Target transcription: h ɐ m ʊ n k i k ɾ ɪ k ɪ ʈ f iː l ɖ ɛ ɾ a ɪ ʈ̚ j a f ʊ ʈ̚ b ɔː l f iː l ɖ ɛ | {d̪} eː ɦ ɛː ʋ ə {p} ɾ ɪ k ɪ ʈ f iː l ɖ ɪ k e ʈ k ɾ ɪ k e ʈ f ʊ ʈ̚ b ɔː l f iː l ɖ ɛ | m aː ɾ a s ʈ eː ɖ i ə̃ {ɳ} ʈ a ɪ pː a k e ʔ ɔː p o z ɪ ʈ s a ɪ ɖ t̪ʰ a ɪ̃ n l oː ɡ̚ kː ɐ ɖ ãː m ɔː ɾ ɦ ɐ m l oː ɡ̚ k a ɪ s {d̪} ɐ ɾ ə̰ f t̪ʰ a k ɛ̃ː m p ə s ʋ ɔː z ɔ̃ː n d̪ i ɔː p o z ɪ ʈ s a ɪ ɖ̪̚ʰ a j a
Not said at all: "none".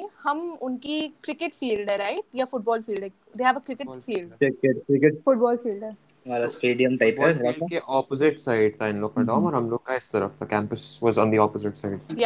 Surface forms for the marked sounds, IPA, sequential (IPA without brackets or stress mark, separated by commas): d̪, k, m, t̪